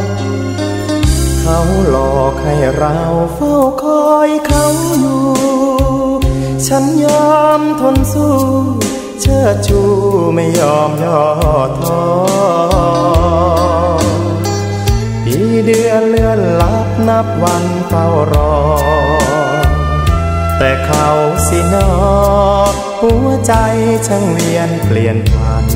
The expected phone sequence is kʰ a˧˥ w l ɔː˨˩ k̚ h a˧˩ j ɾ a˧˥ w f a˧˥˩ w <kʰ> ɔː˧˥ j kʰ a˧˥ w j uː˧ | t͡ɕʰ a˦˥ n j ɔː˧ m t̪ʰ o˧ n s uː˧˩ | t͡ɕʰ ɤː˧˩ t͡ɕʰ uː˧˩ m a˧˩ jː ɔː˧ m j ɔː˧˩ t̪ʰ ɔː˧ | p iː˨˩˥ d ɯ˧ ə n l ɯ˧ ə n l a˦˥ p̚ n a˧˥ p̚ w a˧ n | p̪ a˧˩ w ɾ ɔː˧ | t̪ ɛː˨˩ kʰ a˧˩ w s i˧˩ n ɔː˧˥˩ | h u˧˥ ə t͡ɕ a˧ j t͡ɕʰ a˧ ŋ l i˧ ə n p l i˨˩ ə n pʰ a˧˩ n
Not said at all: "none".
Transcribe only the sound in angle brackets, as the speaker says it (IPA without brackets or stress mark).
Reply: kʰ